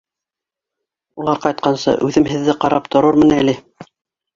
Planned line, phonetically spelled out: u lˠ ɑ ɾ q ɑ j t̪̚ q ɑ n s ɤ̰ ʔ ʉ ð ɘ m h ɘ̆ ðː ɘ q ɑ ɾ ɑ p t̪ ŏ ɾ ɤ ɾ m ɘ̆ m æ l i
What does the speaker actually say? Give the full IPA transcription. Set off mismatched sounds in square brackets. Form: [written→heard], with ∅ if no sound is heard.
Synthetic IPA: u lˠ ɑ ɾ q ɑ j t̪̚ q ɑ n s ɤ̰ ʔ ʉ ð ɘ m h ɘ̆ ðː ɘ q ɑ ɾ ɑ p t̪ ŏ ɾ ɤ ɾ m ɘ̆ [m→n] æ l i